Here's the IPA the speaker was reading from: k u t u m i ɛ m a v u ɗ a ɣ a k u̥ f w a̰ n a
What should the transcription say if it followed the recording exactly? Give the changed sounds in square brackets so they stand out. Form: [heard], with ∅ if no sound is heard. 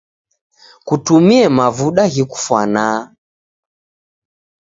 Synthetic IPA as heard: k u t u m i ɛ m a v u ɗ a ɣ [i] k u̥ f w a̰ n a